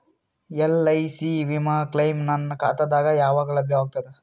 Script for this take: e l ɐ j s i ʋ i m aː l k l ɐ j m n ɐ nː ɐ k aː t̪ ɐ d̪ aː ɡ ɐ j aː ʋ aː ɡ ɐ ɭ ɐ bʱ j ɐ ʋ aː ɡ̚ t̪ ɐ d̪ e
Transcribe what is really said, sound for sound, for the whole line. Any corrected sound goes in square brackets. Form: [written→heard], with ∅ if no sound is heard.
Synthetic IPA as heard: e l ɐ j s i ʋ i m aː [l→∅] k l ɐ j m n ɐ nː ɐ k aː t̪ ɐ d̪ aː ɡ ɐ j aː ʋ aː ɡ ɐ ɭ ɐ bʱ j ɐ ʋ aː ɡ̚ t̪ ɐ d̪ e